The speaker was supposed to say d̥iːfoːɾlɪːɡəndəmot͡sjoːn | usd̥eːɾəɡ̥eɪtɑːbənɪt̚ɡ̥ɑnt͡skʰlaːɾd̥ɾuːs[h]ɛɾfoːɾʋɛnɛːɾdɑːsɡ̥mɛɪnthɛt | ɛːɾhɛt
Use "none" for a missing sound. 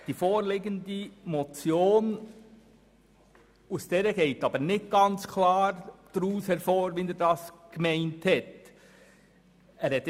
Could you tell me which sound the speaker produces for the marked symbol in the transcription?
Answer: h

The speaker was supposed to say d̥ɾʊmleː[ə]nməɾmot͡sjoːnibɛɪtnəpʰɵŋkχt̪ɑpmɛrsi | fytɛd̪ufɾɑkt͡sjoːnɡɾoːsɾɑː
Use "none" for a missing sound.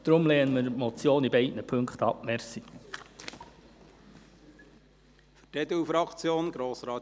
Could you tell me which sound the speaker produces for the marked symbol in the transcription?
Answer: ə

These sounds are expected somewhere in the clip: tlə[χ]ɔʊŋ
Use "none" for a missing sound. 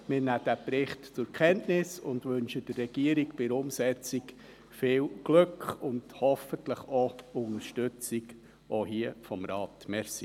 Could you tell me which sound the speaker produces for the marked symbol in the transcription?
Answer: χ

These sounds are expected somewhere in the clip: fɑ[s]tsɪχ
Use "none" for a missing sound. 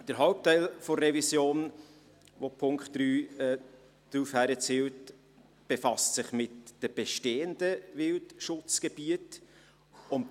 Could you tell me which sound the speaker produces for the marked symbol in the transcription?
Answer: s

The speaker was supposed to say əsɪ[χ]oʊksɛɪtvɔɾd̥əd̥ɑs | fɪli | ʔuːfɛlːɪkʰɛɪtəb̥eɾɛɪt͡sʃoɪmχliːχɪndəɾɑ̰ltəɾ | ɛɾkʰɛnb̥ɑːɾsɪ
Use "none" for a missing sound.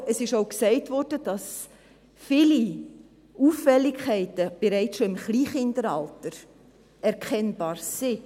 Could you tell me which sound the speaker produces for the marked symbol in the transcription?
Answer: ʃ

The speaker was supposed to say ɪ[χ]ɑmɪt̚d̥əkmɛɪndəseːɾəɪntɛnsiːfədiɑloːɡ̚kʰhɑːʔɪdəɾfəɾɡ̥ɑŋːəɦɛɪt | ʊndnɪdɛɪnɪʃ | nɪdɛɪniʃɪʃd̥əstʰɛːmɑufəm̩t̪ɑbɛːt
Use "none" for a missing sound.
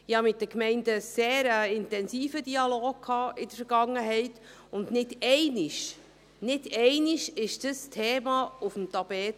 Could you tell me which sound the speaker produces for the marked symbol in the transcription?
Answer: h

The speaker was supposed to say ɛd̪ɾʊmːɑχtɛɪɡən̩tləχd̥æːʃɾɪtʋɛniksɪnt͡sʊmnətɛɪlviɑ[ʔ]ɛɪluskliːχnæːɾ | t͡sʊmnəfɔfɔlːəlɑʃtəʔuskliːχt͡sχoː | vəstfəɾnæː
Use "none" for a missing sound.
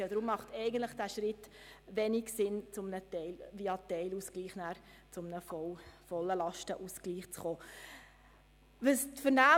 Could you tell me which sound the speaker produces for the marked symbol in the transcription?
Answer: t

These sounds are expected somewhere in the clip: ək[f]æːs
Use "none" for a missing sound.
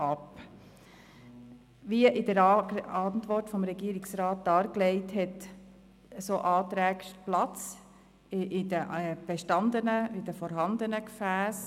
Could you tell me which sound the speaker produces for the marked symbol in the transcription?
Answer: f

